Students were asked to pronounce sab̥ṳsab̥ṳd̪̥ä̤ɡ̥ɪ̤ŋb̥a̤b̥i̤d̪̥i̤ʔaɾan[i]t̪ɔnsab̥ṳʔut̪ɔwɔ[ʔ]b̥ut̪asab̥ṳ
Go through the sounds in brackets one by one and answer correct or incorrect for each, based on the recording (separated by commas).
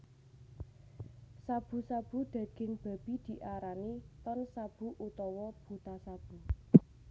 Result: correct, incorrect